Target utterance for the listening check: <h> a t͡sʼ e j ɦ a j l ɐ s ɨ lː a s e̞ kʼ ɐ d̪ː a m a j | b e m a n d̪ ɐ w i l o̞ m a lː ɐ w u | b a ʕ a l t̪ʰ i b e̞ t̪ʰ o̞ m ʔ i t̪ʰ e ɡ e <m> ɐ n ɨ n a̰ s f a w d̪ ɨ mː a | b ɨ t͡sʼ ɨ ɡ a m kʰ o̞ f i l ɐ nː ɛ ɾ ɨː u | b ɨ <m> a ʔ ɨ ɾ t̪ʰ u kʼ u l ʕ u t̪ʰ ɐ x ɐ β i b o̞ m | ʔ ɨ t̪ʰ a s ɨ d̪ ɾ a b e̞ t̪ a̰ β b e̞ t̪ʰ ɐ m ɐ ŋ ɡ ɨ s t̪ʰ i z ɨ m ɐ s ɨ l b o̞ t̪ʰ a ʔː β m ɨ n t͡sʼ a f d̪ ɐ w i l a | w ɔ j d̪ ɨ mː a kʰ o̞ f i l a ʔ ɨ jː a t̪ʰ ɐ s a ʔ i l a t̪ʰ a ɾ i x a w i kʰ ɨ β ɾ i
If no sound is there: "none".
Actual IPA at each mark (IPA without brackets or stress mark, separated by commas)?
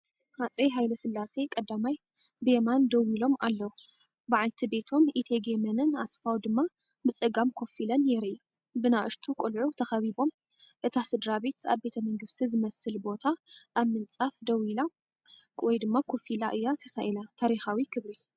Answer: h, m, n